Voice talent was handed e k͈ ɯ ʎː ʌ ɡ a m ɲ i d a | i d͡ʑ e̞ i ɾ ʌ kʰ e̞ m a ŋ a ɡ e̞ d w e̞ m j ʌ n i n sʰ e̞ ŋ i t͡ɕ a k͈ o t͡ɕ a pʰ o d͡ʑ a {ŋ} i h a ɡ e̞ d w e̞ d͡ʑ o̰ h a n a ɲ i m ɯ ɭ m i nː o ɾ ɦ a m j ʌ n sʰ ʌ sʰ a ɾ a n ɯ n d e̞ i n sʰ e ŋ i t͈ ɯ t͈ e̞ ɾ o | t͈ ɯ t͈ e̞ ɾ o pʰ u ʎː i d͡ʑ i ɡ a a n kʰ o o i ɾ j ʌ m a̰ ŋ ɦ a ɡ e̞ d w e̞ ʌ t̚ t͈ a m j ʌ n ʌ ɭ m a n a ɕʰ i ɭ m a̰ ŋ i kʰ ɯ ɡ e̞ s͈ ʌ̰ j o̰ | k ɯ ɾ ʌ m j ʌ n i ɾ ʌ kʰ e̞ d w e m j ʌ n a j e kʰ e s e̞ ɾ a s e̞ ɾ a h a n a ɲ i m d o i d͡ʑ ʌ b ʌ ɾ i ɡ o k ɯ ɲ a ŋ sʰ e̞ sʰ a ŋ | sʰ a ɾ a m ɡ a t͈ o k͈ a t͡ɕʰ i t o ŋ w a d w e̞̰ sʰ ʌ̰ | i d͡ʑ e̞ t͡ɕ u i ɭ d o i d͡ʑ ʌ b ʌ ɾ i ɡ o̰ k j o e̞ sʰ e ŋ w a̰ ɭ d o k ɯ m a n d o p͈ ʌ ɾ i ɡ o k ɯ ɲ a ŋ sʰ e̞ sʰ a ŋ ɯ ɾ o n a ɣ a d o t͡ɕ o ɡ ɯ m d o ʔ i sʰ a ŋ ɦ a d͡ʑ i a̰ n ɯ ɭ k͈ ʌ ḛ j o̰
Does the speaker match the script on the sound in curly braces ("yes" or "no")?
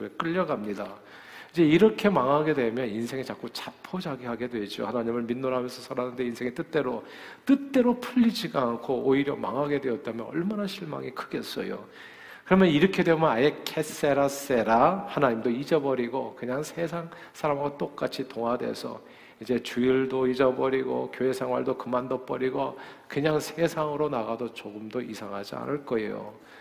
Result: no